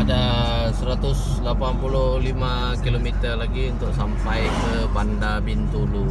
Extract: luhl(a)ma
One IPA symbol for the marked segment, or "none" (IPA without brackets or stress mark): i